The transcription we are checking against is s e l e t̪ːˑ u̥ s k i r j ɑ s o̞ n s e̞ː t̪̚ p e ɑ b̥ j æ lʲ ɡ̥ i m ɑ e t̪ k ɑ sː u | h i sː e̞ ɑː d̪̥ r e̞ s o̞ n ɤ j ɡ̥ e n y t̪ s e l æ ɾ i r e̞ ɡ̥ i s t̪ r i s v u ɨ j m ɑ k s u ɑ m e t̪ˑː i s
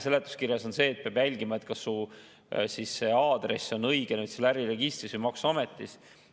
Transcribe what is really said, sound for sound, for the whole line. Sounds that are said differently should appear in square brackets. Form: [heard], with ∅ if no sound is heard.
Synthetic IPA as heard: s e l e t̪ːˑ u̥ s k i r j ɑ s o̞ n s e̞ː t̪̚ p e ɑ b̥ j æ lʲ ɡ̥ i m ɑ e t̪ k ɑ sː u | [s] i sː e̞ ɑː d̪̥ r e̞ s o̞ n ɤ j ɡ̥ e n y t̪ s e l æ ɾ i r e̞ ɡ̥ i s t̪ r i s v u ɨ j m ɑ k s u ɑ m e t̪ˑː i s